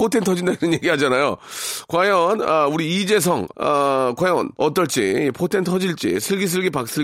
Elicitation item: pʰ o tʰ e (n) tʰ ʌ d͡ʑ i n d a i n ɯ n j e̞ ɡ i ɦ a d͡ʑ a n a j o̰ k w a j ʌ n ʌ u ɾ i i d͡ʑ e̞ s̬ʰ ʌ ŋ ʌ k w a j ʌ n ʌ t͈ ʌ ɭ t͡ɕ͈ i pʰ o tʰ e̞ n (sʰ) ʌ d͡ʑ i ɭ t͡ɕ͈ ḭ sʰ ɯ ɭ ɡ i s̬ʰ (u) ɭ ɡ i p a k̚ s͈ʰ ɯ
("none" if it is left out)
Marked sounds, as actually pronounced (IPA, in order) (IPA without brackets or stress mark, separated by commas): n, tʰ, ɯ